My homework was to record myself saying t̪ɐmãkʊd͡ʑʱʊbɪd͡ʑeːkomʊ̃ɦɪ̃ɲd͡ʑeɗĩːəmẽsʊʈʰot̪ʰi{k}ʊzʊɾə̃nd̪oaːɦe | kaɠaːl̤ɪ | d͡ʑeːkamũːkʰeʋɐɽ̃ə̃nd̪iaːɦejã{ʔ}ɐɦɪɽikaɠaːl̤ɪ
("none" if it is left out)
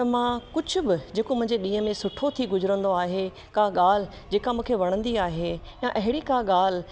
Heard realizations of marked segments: ɡ, ʔ

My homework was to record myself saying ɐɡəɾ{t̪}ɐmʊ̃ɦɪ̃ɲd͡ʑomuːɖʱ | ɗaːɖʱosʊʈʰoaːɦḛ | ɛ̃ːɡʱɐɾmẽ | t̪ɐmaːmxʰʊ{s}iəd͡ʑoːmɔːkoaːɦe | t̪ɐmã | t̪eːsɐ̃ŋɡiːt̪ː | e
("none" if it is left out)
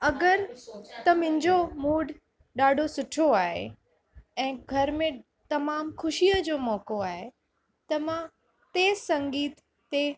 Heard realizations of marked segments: t̪, ʃ

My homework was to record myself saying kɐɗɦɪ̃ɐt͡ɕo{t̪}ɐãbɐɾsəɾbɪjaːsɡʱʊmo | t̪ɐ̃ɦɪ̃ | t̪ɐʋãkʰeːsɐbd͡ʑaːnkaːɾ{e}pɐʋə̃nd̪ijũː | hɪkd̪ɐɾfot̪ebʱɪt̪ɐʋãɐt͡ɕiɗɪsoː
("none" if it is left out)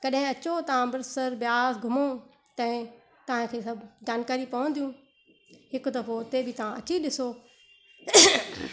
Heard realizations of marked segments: t̪, i

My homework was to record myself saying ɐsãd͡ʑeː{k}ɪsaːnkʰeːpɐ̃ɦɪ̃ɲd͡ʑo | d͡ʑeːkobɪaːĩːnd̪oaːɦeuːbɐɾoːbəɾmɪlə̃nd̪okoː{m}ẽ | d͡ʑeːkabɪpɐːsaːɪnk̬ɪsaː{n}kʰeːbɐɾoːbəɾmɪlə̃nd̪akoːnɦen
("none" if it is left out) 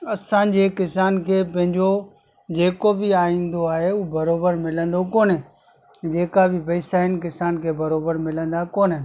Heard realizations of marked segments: k, n, n

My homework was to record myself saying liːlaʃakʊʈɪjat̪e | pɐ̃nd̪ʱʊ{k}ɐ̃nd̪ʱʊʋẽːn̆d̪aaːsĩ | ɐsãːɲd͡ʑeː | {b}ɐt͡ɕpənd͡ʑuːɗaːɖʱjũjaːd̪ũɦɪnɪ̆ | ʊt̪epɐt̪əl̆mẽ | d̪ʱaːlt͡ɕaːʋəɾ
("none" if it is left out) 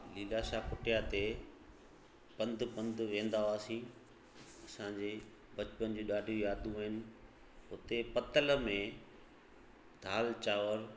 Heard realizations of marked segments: p, b

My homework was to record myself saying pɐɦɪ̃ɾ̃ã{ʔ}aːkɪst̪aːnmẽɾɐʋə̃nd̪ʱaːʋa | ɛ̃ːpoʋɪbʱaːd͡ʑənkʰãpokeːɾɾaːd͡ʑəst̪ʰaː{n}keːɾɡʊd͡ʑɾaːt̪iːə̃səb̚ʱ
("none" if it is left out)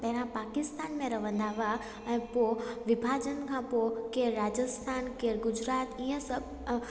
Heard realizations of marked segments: p, n

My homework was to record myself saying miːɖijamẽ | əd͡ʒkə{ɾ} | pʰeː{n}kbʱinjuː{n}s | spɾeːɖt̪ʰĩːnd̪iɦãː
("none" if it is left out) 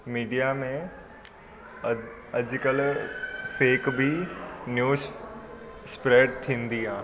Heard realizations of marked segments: l, none, none

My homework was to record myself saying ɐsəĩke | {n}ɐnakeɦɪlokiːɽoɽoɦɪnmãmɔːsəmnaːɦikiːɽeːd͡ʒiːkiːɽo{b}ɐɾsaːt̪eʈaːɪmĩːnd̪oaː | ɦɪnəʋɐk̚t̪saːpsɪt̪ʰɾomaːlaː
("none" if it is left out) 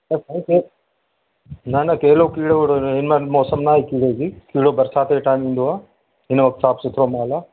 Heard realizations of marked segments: n, b

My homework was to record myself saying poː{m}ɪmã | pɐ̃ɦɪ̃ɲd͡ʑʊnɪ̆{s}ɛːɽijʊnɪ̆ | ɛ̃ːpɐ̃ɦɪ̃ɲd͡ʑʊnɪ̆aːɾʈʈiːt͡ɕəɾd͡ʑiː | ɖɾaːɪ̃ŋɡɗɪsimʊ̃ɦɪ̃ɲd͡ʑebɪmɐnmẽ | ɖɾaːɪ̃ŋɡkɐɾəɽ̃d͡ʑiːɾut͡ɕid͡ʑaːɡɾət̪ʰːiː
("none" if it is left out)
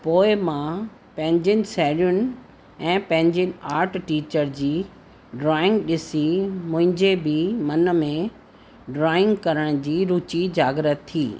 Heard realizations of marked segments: none, s

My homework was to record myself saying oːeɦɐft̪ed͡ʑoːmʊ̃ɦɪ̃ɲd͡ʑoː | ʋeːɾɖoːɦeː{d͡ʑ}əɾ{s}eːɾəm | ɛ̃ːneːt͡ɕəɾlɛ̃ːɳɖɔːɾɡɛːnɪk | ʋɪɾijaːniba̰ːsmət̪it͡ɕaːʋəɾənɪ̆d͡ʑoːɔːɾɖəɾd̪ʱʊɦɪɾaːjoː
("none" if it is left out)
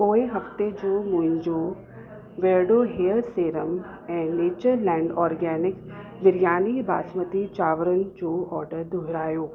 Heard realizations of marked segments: none, s

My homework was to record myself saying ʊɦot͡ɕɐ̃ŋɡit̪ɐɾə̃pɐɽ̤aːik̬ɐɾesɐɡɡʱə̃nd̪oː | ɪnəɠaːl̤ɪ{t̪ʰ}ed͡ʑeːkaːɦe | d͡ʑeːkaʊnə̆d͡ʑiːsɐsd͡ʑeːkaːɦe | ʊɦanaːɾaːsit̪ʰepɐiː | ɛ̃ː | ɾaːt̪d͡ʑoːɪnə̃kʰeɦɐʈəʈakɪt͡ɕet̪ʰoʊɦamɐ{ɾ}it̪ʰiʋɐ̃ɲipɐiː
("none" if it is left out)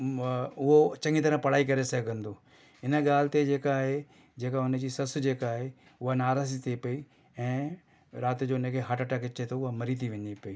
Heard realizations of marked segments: t̪, ɾ

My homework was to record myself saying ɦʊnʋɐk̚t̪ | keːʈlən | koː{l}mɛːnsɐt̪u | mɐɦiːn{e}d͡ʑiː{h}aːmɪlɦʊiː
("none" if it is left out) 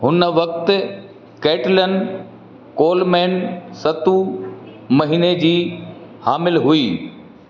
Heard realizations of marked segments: l, e, h

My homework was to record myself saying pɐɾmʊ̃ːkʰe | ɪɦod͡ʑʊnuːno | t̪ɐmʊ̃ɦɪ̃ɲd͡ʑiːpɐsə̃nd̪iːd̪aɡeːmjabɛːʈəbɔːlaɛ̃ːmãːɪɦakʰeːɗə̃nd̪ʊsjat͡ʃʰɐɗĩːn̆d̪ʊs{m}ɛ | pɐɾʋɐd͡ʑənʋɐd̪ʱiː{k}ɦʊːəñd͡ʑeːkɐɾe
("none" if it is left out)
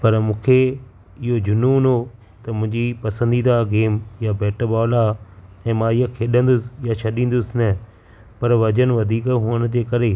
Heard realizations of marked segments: n, k

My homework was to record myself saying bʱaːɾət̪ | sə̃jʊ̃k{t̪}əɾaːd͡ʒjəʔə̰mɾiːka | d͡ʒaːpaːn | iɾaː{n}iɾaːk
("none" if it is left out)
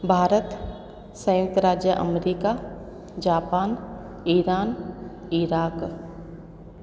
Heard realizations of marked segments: t̪, n

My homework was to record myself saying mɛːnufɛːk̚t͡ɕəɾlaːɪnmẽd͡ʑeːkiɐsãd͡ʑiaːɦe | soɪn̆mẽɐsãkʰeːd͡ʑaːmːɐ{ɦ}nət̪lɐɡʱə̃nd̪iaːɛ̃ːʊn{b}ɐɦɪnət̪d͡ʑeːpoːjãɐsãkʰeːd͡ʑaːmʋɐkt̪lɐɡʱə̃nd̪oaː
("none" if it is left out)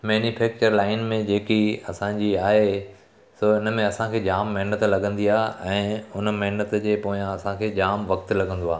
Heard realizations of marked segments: ɦ, m

